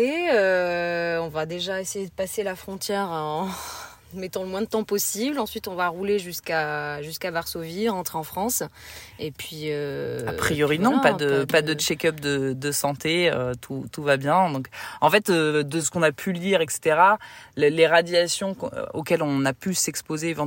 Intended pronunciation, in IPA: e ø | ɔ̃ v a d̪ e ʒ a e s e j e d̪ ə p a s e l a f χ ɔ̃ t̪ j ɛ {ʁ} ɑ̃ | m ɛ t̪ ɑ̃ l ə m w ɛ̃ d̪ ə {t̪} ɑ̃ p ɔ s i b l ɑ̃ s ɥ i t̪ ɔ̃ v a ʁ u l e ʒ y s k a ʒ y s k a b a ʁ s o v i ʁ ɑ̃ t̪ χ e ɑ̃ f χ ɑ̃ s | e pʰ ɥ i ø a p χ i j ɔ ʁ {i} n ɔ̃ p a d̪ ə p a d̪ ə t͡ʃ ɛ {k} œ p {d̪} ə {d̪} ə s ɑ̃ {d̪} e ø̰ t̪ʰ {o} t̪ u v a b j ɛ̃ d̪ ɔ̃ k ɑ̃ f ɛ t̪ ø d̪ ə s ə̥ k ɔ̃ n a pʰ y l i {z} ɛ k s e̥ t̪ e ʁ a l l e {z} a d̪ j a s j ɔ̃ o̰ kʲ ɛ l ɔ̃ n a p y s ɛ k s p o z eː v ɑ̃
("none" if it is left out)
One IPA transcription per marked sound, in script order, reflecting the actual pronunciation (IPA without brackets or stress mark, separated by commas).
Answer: ʁ, t̪, i, k, d̪, d̪, t̪, u, ʁ, ʁ